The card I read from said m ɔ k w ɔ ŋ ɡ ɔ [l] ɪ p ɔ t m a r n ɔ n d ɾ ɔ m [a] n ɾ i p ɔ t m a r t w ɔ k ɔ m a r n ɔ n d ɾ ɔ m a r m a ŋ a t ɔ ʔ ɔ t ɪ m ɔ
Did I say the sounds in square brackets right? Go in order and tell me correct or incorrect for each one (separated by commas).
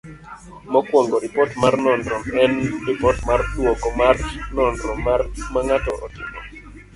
incorrect, incorrect